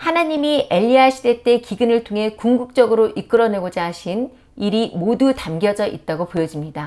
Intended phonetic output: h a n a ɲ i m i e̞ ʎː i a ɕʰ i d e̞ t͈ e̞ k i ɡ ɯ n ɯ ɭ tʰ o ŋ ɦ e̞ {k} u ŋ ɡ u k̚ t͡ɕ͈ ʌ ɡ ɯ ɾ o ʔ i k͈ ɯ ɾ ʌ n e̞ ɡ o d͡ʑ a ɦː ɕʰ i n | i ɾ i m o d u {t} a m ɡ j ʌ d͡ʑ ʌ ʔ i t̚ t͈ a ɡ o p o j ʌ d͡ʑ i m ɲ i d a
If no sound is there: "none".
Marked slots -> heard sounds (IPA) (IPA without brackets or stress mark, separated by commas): k, t